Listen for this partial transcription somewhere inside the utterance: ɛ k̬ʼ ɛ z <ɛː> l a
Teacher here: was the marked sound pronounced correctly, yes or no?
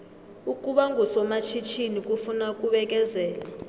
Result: yes